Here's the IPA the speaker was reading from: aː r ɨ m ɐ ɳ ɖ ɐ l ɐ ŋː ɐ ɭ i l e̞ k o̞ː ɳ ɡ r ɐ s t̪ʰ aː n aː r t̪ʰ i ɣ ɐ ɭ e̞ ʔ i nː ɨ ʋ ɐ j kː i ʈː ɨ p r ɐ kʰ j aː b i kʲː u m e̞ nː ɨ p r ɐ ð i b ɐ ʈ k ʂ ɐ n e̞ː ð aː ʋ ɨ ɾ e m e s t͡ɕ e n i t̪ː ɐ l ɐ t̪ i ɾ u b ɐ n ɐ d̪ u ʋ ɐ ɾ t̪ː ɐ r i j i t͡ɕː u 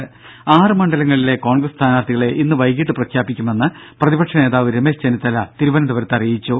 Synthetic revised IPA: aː r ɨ m ɐ ɳ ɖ ɐ l ɐ ŋː ɐ ɭ i l e̞ k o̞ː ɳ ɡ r ɐ s t̪ʰ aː n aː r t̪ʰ i ɣ ɐ ɭ e̞ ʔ i nː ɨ ʋ ɐ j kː i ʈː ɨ p r ɐ kʰ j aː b i kʲː u m e̞ nː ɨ p r ɐ ð i b ɐ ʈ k ʂ ɐ n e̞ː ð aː ʋ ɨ ɾ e m e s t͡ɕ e n i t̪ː ɐ l ɐ t̪ i ɾ u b ɐ n ɐ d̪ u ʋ ɐ ɾ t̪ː ɐ r i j i t͡ɕː u